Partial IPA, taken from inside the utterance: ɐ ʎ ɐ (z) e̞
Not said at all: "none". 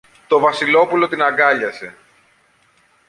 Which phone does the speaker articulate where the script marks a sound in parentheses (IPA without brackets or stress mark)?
s